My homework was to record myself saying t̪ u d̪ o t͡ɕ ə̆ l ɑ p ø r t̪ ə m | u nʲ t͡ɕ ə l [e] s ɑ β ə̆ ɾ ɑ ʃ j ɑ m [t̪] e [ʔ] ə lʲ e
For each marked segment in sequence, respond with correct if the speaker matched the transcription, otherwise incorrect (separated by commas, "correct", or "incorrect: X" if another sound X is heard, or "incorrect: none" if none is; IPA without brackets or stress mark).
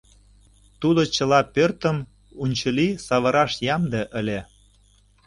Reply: incorrect: i, incorrect: d̪, correct